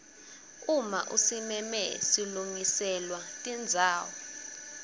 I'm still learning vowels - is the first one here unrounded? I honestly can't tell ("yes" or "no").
no